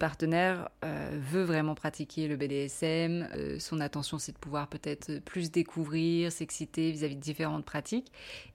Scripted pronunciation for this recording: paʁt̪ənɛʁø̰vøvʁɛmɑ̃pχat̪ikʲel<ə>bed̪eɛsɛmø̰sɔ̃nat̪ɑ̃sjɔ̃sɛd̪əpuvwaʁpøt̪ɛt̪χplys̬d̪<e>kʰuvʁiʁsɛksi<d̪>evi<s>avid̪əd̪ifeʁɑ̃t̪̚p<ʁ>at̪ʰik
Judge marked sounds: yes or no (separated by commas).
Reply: yes, yes, no, no, no